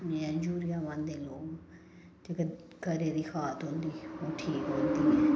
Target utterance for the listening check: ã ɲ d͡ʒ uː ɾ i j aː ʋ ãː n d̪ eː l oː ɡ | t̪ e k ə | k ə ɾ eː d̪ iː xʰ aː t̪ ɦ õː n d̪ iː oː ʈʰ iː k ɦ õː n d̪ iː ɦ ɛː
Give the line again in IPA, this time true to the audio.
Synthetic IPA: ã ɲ d͡ʒ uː ɾ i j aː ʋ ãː n d̪ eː l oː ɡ | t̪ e k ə | k ə ɾ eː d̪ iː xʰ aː t̪ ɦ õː n d̪ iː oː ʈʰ iː k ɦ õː n d̪ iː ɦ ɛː